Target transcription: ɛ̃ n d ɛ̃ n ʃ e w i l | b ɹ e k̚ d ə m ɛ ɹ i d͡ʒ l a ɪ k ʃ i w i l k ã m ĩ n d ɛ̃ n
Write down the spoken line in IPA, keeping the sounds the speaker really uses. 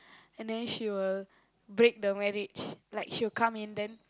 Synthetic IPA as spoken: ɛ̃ n d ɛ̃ n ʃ i w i l | b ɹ e k̚ d ə m ɛ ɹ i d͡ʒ l a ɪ k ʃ i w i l k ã m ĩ n d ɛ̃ n